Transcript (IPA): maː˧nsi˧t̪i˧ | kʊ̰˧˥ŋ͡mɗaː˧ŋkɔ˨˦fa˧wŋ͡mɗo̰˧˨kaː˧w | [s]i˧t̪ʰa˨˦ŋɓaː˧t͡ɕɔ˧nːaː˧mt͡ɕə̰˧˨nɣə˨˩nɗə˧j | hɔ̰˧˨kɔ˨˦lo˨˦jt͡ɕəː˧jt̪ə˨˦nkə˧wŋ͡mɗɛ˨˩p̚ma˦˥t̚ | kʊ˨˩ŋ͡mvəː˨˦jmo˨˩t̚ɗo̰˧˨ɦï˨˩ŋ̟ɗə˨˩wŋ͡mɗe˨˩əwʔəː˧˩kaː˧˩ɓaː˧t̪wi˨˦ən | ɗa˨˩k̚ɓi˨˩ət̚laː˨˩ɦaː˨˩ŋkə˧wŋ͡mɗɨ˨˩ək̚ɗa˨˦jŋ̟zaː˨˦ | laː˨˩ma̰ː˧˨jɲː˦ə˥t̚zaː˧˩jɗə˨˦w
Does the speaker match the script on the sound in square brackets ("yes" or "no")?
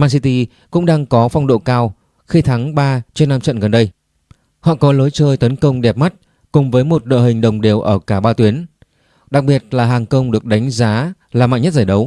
no